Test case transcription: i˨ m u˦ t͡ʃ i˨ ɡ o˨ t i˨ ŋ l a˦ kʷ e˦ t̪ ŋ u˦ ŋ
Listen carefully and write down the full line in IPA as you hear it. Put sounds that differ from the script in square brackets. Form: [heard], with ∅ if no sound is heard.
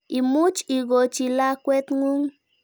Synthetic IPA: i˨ m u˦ t͡ʃ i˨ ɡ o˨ [t͡ʃ] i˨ [∅] l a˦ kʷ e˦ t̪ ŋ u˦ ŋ